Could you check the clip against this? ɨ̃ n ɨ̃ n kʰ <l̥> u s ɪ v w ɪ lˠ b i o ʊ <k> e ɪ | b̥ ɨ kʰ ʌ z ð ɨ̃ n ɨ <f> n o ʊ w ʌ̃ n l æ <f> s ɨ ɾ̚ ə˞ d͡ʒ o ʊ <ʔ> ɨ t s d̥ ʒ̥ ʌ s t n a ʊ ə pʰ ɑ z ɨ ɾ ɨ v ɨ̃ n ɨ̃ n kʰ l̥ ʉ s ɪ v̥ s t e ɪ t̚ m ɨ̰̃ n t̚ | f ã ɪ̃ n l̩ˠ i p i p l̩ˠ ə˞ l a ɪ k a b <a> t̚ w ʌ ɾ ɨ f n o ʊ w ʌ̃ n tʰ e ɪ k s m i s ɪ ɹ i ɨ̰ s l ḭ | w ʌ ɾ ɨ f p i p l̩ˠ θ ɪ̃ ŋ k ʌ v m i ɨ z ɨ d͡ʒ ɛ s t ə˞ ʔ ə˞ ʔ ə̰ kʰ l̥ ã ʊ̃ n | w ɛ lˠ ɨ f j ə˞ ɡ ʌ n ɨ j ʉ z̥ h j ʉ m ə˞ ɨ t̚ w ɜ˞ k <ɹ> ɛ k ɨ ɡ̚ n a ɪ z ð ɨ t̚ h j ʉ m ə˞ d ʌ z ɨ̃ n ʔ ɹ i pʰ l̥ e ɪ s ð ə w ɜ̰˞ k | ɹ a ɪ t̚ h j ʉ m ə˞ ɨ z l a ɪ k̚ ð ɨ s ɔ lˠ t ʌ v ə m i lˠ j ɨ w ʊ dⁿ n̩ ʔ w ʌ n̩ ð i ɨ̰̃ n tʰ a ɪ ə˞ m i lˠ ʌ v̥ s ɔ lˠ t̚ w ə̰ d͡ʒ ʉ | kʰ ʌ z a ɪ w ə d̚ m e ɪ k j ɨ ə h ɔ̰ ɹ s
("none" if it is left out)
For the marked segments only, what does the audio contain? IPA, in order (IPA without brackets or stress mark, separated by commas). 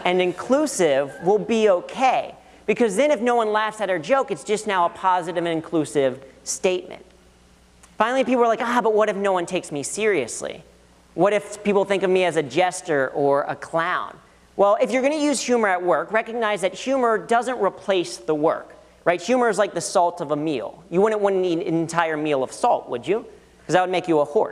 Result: l̥, kʰ, f, f, k, ʌ, ɹ